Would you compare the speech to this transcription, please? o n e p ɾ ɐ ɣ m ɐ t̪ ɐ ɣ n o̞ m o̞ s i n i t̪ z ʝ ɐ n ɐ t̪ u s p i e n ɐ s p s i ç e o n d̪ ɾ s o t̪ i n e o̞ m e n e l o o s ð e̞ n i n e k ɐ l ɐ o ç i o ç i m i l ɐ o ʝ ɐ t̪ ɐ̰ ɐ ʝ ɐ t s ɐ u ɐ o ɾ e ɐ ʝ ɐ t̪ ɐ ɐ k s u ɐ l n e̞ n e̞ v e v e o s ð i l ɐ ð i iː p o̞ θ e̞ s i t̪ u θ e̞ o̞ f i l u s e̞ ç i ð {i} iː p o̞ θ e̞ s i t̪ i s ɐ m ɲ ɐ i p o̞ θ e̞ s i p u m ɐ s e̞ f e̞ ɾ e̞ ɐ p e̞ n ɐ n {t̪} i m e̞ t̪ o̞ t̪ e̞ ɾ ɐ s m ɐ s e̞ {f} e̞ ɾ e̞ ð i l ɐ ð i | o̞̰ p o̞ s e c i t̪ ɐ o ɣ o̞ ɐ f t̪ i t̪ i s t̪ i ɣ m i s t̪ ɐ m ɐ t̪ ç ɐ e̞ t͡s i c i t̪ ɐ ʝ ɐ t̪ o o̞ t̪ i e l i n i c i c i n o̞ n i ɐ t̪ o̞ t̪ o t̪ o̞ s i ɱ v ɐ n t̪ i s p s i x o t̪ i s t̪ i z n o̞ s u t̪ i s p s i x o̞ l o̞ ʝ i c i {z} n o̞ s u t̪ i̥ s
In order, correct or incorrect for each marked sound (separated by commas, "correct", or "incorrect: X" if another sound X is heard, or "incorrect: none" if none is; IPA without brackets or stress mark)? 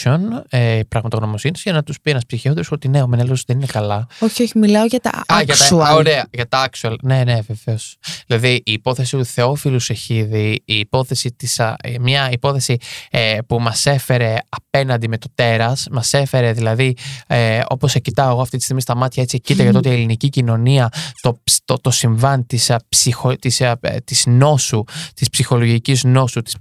correct, incorrect: d̪, correct, correct